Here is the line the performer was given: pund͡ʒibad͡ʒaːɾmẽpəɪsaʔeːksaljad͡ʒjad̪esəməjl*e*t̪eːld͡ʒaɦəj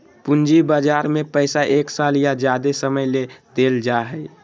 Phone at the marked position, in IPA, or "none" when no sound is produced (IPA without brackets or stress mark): e